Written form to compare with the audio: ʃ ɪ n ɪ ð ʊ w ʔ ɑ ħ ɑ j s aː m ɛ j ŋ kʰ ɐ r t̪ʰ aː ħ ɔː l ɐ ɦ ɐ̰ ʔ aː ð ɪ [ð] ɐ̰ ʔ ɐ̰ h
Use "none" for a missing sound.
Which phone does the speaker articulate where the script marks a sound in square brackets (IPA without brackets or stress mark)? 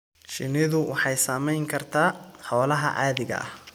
ɣ